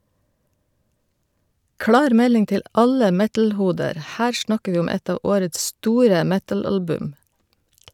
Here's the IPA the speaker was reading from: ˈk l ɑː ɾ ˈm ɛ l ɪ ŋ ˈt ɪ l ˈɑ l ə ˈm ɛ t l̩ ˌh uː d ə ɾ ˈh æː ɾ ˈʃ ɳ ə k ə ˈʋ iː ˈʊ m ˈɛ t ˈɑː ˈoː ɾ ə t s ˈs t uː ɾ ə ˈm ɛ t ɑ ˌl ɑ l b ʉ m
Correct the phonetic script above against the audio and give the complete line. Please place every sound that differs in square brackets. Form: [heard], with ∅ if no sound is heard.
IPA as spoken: ˈk l ɑː ɾ ˈm ɛ l ɪ ŋ ˈt ɪ l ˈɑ l ə ˈm ɛ t l̩ ˌh uː d ə ɾ ˈh æː ɾ ˈʃ ɳ [ɑ] k ə ˈʋ iː ˈʊ m ˈɛ t ˈɑː ˈoː ɾ ə t s ˈs t uː ɾ ə ˈm ɛ t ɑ ˌl ɑ l b ʉ m